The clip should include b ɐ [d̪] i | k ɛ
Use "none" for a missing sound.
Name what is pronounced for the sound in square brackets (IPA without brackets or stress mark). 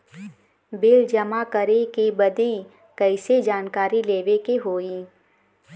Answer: d̪